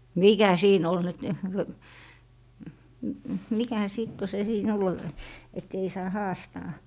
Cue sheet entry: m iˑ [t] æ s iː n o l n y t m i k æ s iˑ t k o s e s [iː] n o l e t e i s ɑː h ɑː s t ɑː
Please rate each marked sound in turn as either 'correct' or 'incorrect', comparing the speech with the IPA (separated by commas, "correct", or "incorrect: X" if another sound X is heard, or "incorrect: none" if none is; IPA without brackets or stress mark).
incorrect: k, correct